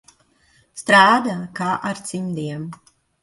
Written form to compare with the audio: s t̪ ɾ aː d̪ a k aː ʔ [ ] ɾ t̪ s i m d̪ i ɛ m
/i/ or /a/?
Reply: a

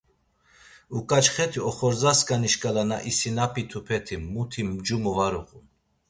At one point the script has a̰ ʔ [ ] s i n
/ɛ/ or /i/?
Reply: i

